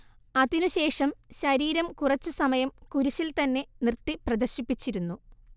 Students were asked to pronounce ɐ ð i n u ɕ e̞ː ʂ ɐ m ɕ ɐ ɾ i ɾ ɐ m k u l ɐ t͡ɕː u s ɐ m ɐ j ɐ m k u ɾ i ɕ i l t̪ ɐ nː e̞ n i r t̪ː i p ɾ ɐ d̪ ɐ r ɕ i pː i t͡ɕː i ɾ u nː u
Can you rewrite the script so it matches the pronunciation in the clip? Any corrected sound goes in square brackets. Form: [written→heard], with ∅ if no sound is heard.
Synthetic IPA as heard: ɐ ð i n u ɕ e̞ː ʂ ɐ m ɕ ɐ ɾ [i→iː] ɾ ɐ m k u [l→r] ɐ t͡ɕː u s ɐ m ɐ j ɐ m k u ɾ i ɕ i l t̪ ɐ nː e̞ n i r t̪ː i p [ɾ→r] ɐ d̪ ɐ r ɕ i pː i t͡ɕː i ɾ u nː u